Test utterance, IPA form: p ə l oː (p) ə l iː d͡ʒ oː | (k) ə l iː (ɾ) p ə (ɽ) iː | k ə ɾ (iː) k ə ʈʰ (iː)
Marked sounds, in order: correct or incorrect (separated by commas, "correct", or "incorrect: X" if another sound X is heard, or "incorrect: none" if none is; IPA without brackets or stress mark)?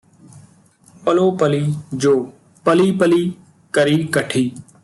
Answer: correct, incorrect: p, incorrect: none, incorrect: l, correct, correct